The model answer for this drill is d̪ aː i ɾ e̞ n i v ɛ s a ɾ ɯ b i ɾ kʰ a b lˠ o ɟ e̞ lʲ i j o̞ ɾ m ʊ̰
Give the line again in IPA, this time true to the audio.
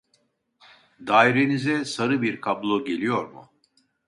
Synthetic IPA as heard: d̪ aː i ɾ e̞ n i z ɛ s a ɾ ɯ b i ɾ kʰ a b lˠ o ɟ e̞ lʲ i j o̞ ɾ m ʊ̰